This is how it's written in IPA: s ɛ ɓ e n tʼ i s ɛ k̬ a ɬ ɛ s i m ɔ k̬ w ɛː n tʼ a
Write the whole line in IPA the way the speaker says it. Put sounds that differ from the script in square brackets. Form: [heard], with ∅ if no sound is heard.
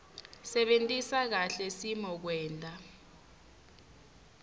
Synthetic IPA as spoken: s ɛ ɓ e n tʼ i s [a] k̬ a ɬ ɛ s i m ɔ k̬ w ɛː n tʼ a